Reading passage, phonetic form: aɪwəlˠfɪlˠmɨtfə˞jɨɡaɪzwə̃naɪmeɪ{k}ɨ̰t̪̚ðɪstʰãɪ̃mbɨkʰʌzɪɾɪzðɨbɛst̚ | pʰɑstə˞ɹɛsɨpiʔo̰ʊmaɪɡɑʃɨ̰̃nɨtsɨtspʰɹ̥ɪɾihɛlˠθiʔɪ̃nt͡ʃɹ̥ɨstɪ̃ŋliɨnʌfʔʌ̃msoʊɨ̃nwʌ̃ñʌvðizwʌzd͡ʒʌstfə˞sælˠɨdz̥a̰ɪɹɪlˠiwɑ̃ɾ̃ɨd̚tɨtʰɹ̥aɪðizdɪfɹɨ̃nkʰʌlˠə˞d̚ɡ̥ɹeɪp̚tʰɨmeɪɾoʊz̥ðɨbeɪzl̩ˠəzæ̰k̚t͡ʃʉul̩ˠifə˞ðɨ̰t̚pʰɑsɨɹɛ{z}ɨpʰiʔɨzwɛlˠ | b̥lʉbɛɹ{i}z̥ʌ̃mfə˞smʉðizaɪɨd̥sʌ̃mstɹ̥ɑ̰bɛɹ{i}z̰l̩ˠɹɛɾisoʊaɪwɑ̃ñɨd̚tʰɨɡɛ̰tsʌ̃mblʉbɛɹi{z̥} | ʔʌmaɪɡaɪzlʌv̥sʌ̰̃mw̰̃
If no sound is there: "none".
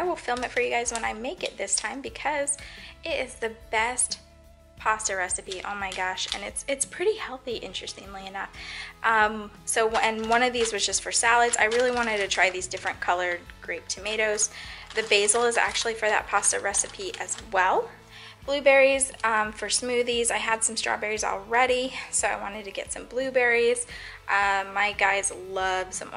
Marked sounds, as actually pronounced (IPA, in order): k, s, i, i, z̥

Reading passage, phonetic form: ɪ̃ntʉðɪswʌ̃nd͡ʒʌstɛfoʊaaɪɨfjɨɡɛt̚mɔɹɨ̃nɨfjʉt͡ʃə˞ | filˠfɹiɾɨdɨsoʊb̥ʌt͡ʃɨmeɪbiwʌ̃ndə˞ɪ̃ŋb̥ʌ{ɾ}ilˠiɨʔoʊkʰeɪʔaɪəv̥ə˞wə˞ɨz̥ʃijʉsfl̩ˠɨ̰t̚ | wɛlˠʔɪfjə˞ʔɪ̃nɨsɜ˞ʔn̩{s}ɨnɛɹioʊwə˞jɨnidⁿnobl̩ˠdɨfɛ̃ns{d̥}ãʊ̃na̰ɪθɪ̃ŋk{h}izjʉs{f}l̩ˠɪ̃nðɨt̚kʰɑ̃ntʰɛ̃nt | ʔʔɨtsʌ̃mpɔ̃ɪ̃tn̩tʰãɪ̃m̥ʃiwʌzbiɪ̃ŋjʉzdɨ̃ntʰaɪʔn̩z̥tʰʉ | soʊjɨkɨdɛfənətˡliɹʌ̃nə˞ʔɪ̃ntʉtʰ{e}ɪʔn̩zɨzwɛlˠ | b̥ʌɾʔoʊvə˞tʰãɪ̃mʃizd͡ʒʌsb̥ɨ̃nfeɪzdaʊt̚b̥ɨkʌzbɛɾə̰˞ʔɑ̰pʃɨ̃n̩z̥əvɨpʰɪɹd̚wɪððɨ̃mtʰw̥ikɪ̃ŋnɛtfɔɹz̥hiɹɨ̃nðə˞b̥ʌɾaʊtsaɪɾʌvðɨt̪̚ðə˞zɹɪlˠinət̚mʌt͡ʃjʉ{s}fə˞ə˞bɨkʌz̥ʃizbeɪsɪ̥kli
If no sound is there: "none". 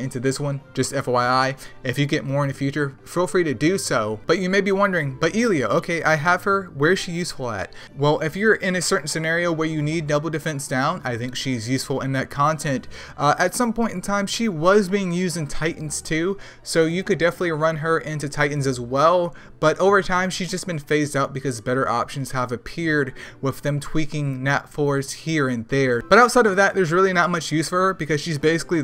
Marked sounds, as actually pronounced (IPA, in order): ɾ, s, d̥, ʃ, f, a, s

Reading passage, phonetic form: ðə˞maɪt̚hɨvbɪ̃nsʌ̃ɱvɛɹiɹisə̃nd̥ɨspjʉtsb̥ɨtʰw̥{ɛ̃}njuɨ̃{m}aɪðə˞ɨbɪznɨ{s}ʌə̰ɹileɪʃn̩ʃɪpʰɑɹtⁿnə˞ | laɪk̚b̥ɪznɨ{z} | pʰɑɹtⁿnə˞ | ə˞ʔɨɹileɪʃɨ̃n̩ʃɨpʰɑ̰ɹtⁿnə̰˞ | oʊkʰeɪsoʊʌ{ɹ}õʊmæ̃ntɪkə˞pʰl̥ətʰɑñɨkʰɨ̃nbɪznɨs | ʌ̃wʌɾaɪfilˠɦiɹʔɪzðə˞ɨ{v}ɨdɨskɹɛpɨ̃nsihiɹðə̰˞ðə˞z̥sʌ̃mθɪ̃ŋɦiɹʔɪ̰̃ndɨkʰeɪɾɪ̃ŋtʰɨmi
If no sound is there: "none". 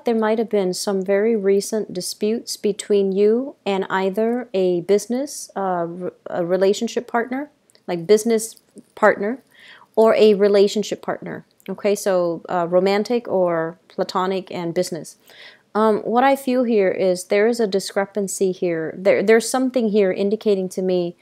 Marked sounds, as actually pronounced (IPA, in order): ĩ, n, s, s, ɹ, z

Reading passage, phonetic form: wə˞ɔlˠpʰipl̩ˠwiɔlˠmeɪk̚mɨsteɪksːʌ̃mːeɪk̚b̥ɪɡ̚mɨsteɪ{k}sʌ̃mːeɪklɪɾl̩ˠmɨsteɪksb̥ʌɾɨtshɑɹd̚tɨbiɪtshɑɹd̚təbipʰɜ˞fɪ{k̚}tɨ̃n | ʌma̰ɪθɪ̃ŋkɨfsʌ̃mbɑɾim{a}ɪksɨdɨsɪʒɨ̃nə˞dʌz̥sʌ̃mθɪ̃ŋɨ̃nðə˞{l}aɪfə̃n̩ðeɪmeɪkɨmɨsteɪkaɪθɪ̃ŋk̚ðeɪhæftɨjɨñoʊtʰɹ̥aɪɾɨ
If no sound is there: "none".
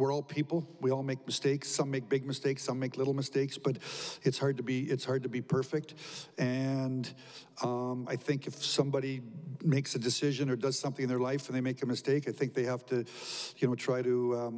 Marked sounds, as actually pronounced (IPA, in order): k, k̚, e, l

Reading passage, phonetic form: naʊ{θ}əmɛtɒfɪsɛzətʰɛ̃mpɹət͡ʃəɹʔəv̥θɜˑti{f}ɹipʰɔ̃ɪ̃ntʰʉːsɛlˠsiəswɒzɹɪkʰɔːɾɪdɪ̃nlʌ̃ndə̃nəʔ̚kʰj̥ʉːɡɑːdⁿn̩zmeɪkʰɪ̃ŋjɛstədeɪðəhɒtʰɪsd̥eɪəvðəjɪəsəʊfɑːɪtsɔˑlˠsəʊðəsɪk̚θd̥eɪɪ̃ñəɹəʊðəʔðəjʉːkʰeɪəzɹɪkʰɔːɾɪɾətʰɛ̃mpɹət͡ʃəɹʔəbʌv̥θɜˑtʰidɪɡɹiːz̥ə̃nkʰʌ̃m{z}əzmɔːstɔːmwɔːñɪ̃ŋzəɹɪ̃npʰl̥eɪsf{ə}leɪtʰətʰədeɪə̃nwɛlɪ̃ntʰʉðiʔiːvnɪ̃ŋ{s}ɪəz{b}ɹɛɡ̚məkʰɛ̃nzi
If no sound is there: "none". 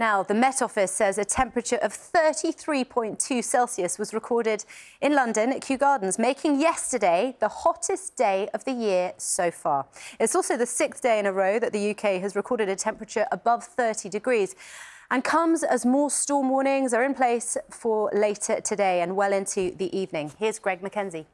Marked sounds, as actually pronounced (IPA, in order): ð, θ, z, ə, h, ɡ

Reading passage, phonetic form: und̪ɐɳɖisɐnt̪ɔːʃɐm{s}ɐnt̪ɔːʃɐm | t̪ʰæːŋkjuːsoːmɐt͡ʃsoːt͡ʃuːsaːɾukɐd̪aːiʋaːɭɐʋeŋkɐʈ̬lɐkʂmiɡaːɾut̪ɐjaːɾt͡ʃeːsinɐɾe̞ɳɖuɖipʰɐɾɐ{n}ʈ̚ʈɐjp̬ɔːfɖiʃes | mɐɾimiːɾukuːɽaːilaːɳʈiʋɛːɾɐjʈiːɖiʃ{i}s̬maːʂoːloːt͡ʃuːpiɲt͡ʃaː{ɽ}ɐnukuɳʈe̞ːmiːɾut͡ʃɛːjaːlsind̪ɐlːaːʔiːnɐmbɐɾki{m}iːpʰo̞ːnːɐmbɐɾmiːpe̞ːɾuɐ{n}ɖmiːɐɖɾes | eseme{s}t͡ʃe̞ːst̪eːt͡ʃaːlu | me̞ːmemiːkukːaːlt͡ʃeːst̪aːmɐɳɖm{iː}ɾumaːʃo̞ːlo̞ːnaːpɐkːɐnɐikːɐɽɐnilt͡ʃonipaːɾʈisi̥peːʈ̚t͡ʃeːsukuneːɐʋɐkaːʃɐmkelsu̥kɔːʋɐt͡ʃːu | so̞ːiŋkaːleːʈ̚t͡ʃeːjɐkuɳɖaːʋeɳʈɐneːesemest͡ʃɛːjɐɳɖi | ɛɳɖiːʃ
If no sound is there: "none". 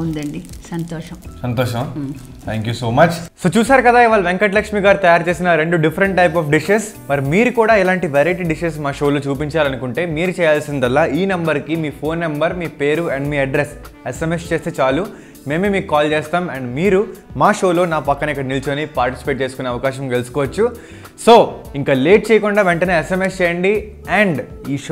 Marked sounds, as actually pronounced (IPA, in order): s, ɳ, e, l, m, ɳ, s, iː

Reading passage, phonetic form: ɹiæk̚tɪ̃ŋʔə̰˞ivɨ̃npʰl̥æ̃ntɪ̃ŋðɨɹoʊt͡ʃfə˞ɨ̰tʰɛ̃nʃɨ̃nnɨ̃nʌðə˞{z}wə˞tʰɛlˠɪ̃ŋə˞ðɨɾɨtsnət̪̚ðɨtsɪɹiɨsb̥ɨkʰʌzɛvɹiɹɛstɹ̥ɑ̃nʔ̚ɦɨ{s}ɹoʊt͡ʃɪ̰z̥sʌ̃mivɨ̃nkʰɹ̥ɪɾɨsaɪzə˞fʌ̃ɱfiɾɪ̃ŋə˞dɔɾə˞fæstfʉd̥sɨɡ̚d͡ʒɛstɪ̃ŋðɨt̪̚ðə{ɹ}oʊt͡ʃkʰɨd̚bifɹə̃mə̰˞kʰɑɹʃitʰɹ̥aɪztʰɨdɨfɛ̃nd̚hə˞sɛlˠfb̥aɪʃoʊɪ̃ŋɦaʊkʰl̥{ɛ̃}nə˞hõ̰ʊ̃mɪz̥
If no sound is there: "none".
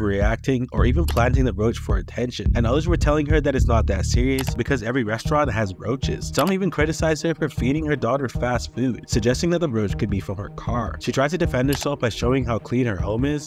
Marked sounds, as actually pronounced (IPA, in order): z, z, ɹ, ĩ

